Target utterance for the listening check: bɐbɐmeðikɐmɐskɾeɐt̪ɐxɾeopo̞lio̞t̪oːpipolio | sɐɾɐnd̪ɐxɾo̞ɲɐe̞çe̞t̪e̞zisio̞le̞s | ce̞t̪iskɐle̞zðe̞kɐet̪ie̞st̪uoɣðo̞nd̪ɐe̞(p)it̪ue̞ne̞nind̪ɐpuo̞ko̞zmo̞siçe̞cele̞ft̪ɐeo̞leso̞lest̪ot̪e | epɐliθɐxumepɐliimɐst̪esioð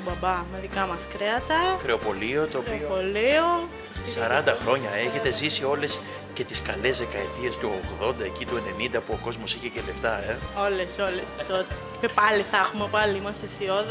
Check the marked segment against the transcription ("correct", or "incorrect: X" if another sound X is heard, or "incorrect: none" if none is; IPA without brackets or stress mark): incorrect: c